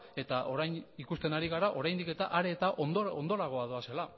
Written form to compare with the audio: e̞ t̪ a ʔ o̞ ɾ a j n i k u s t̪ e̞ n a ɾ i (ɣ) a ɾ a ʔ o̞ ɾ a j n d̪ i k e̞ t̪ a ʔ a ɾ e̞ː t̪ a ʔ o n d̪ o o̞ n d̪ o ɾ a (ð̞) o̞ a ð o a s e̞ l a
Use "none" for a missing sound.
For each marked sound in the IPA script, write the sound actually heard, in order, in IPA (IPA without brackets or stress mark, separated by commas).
ɣ, ɣ̞